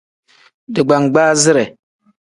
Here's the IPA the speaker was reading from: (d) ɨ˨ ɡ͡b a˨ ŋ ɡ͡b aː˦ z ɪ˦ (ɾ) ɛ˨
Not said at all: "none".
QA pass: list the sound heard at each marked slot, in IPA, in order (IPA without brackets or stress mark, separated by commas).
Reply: d, ɾ